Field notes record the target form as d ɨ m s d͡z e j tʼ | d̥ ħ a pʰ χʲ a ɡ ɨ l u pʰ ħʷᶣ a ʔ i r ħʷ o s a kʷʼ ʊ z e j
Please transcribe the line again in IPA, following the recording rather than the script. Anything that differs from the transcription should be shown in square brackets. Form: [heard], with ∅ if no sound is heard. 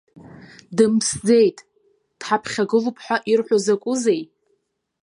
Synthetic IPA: d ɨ m s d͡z e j tʼ | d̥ ħ a pʰ χʲ a ɡ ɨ l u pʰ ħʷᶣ a ʔ i r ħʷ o [z] a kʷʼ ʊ z e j